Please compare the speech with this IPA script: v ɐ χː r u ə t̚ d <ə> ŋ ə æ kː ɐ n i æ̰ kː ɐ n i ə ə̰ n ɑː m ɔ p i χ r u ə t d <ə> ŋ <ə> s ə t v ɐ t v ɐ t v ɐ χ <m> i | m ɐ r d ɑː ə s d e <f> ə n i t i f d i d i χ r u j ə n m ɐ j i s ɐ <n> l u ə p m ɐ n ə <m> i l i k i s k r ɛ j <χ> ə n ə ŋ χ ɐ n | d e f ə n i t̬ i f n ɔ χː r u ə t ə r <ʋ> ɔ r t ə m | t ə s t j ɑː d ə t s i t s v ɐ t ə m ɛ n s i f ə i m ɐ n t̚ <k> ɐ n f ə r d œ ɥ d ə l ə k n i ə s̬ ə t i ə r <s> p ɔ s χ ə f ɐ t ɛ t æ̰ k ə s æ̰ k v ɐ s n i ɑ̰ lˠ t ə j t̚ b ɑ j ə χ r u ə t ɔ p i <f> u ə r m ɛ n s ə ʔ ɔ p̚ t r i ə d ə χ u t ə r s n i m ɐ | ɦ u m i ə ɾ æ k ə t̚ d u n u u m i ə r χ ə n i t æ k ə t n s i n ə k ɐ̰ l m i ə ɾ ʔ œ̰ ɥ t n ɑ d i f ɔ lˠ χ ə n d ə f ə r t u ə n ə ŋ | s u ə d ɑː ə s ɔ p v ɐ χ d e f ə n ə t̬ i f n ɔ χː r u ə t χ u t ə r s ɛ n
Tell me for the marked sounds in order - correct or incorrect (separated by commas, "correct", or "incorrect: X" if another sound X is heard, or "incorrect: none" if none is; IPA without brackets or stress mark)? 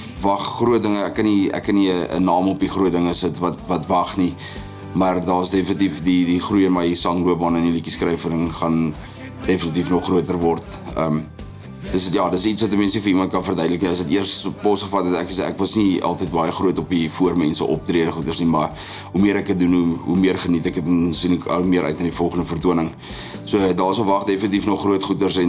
correct, correct, correct, incorrect: n, correct, incorrect: ŋ, incorrect: n, incorrect: f, incorrect: v, correct, correct, correct